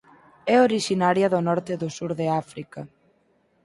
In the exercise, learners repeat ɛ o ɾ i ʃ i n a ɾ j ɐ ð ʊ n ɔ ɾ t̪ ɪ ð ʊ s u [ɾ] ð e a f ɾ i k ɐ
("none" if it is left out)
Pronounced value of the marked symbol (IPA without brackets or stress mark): ɾ